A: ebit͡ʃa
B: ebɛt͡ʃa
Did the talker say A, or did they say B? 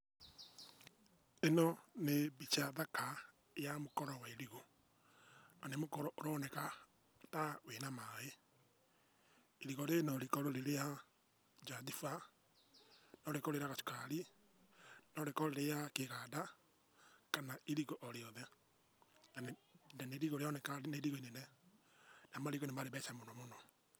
A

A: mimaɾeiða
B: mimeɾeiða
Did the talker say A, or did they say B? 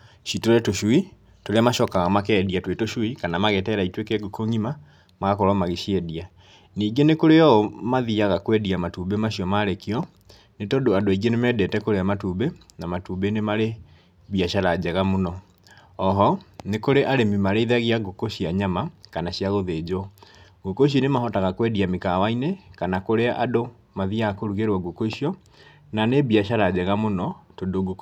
A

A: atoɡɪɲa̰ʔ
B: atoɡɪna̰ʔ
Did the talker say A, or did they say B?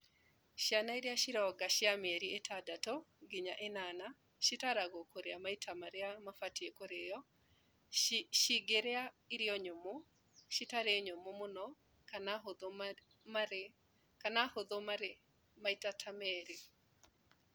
A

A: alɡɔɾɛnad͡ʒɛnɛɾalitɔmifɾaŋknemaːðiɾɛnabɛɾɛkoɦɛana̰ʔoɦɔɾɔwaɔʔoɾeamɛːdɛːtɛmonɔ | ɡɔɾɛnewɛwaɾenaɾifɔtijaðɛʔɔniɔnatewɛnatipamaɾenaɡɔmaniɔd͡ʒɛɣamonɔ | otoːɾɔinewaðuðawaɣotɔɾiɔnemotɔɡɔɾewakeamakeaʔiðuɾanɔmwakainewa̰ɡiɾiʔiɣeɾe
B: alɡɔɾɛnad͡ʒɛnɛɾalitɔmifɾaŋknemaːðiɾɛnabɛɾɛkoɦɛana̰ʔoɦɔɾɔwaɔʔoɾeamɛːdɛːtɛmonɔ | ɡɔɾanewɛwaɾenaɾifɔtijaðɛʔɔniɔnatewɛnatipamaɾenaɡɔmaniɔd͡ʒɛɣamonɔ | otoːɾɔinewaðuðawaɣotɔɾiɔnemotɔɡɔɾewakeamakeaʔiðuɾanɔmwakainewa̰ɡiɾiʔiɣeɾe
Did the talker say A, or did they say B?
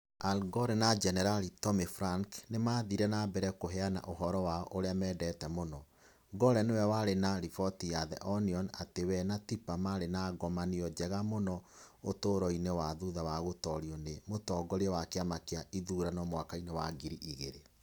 A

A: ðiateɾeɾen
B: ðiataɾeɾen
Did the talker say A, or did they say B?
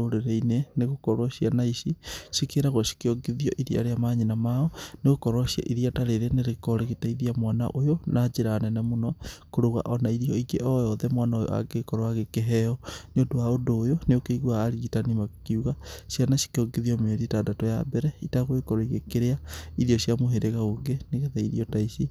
B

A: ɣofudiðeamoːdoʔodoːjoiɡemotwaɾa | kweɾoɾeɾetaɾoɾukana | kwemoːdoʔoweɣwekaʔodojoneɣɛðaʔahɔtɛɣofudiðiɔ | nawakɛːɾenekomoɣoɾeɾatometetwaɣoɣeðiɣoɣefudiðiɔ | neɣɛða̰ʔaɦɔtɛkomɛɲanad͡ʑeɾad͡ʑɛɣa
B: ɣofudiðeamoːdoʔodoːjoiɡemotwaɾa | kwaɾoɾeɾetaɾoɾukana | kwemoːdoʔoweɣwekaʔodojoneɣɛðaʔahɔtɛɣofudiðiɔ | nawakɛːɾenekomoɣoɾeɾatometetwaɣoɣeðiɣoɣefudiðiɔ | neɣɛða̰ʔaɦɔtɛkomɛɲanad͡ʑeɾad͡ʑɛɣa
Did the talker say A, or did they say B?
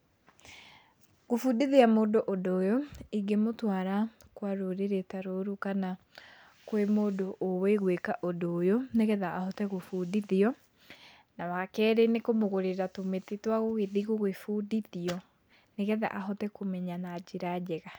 B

